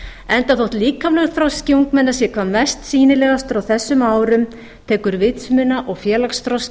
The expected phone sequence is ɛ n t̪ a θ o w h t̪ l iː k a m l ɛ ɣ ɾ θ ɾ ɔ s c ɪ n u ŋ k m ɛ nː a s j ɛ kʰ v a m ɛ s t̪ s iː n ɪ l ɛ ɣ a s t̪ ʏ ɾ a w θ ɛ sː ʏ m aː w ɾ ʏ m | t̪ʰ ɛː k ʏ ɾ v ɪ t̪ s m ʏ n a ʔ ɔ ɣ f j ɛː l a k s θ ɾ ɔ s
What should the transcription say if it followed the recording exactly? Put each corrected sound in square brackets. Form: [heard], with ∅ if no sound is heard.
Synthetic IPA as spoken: ɛ n t̪ a θ o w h t̪ l iː k a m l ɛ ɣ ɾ θ ɾ ɔ s c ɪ [∅] u ŋ k m ɛ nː a s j ɛ kʰ v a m ɛ s t̪ s iː n ɪ l ɛ ɣ a s t̪ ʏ ɾ a w θ ɛ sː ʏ m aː w ɾ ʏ m | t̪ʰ ɛː k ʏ ɾ v ɪ t̪ s m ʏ n a ʔ ɔ ɣ f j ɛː l a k s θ ɾ ɔ s